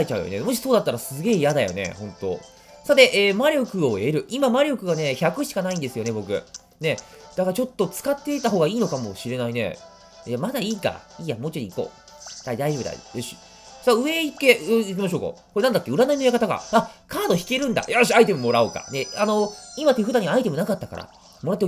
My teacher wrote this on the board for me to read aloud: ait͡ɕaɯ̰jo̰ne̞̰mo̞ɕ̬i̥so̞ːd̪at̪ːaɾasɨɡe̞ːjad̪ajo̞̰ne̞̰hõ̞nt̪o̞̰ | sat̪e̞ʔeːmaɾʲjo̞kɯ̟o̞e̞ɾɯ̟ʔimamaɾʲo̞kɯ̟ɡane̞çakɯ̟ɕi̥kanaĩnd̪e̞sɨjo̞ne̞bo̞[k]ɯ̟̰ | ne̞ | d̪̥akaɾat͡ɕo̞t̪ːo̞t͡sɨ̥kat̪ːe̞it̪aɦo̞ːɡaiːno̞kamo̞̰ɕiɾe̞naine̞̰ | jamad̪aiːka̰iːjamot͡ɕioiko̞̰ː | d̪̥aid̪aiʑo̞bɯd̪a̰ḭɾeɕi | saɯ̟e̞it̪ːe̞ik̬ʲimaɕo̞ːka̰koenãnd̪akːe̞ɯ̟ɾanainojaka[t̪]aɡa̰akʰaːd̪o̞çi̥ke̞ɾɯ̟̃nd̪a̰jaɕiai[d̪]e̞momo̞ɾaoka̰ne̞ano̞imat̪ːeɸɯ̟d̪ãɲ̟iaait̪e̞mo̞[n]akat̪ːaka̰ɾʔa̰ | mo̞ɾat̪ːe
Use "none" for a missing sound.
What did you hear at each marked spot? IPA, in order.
k, t̪, t̪, n

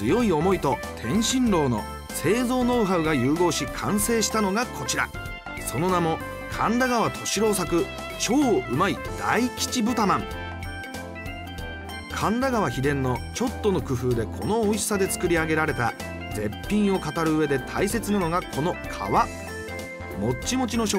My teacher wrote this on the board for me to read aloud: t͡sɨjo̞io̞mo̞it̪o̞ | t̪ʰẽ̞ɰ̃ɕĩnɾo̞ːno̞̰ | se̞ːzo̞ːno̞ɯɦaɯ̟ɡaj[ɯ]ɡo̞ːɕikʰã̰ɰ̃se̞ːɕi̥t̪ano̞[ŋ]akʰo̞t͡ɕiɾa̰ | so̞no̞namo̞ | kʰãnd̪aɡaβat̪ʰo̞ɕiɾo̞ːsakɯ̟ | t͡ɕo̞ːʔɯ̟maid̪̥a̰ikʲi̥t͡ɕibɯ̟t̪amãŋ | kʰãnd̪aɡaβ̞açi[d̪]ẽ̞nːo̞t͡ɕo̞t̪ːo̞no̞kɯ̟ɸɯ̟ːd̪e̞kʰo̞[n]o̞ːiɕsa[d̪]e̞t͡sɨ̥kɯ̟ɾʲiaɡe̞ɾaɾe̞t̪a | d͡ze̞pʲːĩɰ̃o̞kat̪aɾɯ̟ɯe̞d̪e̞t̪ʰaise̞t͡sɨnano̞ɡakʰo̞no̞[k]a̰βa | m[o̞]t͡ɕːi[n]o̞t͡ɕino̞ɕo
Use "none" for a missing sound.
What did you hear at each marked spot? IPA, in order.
ɯː, ɡ, d̪, n, d̪, kʰ, o̞, m

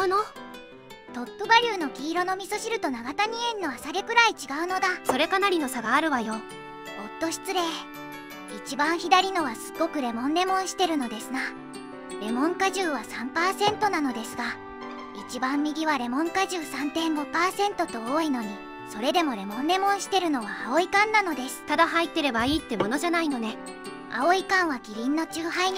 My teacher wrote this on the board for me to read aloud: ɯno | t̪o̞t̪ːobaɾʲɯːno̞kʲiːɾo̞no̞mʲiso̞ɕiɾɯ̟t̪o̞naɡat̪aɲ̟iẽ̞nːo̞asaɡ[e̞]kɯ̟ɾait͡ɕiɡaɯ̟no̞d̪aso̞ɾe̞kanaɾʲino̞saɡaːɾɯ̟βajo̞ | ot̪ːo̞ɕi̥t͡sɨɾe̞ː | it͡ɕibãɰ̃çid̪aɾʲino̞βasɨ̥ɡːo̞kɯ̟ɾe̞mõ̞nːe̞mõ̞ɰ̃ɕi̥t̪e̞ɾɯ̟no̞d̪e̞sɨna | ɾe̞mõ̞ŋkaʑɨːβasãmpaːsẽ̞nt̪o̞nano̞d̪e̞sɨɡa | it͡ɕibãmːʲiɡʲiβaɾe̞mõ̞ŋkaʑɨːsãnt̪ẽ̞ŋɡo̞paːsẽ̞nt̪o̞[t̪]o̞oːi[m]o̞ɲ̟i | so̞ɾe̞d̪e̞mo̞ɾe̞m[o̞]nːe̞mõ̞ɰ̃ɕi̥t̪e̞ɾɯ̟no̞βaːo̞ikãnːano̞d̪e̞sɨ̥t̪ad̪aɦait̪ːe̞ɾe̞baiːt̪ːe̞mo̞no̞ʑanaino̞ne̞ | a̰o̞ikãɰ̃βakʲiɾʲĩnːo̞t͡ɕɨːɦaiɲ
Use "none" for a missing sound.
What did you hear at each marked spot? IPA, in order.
e̞, t̪, n, õ̞

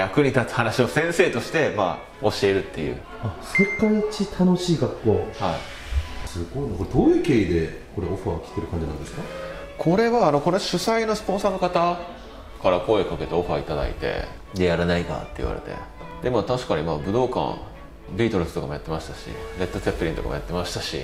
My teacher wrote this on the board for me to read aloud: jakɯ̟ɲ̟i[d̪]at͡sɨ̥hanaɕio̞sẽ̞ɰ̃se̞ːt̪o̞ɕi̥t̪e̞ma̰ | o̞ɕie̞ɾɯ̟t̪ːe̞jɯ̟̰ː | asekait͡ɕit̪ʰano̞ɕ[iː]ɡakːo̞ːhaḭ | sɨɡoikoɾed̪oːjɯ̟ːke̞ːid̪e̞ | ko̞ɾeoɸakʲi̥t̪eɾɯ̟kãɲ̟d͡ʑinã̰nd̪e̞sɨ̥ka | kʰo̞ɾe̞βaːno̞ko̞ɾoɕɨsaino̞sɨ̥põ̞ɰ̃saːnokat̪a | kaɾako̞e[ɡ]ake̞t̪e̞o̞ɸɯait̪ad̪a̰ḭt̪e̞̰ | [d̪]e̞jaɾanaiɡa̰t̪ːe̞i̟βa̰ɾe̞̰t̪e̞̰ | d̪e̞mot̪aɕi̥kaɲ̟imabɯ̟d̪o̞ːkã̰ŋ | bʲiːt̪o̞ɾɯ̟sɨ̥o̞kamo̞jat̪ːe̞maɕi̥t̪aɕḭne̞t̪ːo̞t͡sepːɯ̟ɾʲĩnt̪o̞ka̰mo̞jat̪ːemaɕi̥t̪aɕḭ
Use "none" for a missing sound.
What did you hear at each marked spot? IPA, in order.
t̪, iː, k, d̪

